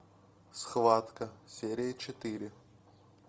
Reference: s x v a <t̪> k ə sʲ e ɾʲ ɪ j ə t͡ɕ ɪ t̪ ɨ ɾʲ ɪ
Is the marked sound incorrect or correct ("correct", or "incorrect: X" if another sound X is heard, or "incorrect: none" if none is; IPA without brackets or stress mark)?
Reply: correct